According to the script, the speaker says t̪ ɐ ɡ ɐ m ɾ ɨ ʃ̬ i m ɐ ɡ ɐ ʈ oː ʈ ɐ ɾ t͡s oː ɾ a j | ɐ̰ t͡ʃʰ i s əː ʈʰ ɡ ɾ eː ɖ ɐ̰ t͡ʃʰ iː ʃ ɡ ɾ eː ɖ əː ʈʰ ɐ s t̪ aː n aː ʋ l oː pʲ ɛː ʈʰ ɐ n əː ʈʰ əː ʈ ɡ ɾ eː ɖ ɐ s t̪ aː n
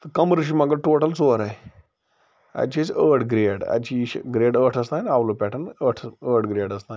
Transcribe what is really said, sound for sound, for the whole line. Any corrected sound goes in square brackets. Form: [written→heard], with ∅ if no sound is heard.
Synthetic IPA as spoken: t̪ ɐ [ɡ→k] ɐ m ɾ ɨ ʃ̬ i m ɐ ɡ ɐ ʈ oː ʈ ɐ [ɾ→l] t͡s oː ɾ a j | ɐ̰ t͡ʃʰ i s əː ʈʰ ɡ ɾ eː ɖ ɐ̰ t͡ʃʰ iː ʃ ɡ ɾ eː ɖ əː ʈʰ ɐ s t̪ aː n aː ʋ l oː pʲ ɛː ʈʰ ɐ n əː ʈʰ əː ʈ ɡ ɾ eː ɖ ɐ s t̪ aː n